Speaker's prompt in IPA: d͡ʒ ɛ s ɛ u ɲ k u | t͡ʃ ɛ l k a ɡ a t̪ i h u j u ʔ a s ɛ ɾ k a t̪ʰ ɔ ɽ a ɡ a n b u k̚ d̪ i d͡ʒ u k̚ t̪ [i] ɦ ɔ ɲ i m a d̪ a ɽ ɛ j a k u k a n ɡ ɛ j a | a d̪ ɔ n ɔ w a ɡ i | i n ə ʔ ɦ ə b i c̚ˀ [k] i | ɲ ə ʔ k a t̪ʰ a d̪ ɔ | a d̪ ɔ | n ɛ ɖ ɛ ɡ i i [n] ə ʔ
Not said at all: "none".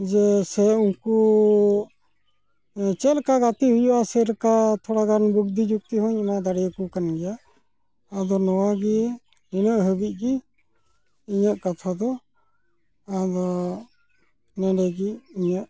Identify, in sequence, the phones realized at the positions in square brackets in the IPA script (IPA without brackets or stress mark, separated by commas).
i, ɡ, ɲ